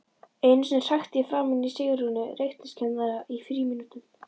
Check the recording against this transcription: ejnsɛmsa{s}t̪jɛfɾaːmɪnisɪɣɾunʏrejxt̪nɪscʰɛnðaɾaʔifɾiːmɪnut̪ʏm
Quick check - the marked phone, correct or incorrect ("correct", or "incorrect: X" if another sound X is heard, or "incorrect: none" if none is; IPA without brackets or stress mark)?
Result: incorrect: x